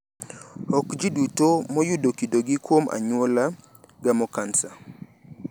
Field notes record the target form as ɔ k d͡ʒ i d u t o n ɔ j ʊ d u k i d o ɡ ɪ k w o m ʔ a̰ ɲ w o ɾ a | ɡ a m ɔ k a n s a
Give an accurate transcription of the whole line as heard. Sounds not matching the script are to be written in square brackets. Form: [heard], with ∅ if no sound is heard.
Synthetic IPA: ɔ k d͡ʒ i d u t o [m] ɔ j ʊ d [o] k i d o ɡ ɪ k w o m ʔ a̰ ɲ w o [l] a | ɡ a m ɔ k a n s a